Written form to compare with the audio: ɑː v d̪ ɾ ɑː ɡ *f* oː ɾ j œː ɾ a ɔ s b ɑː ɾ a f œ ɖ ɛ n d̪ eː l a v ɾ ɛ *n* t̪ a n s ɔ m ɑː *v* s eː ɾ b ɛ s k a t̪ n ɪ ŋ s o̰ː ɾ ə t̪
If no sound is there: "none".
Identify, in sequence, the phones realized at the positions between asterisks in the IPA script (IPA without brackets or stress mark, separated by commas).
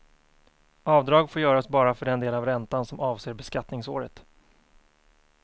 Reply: f, n, v